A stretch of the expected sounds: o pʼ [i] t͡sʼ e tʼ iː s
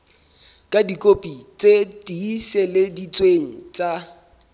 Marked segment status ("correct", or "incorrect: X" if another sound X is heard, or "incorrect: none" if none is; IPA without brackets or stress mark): correct